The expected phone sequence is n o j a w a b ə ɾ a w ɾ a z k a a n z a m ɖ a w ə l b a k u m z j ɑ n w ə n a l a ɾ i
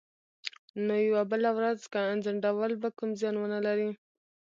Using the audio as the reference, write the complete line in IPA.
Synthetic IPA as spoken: n o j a w a b ə l a w ɾ a z k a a n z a ɳ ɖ a w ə l b a k u m z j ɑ n w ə n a l a ɾ i